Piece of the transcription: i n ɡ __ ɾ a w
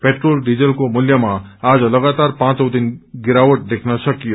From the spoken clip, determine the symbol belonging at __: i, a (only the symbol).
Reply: i